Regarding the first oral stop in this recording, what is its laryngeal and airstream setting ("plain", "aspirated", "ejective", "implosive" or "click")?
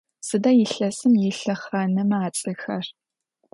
plain